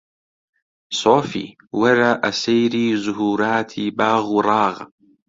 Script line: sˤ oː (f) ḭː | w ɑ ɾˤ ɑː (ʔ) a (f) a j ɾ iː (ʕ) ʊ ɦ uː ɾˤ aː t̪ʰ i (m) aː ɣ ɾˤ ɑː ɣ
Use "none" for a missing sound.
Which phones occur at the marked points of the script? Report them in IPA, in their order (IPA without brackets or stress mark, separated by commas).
f, ʔ, s, z, b